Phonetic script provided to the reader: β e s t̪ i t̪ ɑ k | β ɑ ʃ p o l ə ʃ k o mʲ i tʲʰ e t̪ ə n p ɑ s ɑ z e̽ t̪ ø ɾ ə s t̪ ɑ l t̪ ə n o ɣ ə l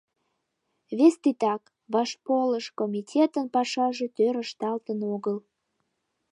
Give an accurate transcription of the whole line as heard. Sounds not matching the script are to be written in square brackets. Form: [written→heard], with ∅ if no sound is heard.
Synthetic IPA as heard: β e s t̪ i t̪ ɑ k | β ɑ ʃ p o l ə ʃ k o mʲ i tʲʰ e t̪ ə n p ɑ [s→ʃ] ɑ [z→ʒ] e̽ t̪ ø ɾ ə [s→ʃ] t̪ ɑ l t̪ ə n o ɣ ə l